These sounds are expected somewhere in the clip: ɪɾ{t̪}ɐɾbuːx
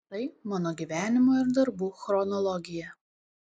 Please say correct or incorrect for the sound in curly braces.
incorrect